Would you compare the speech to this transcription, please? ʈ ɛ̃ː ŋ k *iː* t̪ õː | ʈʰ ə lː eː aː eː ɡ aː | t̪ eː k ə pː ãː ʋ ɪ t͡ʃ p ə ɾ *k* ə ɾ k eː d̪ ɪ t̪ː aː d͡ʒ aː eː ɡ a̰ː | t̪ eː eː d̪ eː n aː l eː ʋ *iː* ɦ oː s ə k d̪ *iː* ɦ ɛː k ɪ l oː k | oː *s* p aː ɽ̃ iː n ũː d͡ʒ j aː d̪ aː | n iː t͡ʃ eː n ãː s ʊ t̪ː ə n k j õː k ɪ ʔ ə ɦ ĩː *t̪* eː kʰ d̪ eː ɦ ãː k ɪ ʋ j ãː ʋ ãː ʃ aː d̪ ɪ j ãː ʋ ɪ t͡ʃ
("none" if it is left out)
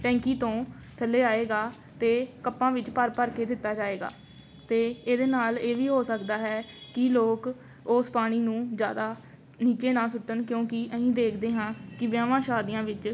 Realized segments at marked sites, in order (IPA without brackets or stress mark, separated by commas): iː, p, iː, aː, s, d̪